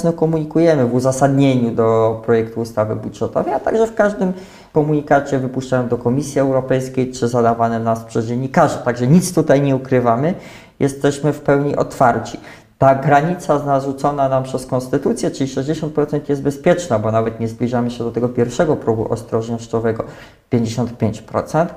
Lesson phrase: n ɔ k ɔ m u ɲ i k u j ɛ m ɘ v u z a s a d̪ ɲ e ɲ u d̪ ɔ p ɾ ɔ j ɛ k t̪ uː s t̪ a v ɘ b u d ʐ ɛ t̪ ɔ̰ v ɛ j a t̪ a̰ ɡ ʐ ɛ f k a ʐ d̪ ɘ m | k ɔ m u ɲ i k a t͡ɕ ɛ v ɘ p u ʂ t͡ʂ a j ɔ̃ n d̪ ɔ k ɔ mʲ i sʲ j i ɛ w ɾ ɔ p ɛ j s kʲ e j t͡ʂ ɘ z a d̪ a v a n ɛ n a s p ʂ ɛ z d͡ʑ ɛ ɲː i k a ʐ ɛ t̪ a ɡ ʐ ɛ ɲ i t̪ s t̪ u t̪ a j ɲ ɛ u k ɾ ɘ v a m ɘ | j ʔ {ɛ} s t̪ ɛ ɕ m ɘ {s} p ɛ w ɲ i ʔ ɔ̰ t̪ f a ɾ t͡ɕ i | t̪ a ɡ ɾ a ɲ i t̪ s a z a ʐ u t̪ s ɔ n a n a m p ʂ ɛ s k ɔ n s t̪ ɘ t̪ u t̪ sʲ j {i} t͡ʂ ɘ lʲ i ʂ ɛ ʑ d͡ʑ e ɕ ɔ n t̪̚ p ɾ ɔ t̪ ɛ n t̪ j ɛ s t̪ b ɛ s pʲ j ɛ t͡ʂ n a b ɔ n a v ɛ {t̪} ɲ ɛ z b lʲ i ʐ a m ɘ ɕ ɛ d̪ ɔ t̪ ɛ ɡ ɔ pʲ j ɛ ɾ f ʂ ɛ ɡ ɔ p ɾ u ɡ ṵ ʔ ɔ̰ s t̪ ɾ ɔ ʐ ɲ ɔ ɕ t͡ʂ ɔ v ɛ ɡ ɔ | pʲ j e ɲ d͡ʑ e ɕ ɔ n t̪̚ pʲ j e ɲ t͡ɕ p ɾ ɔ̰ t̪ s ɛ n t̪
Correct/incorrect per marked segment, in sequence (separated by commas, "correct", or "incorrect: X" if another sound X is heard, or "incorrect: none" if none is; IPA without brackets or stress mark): correct, incorrect: f, incorrect: ɛ, correct